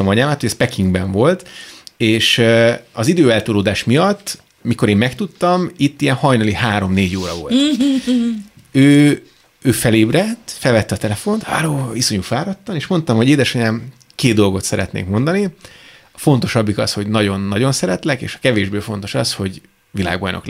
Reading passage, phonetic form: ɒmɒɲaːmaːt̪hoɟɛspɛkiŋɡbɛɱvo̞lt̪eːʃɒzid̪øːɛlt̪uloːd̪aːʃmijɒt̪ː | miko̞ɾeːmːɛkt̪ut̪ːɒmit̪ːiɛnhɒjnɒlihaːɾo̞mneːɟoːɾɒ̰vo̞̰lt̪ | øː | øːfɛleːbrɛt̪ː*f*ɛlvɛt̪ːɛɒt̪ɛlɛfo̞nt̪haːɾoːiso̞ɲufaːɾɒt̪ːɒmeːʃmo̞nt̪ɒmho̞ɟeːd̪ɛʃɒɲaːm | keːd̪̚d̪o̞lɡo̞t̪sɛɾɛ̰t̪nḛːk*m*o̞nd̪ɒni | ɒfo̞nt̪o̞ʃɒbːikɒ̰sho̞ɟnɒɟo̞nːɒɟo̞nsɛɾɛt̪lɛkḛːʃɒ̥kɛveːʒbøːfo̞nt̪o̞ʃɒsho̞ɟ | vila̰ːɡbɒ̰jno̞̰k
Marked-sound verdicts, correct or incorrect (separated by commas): correct, correct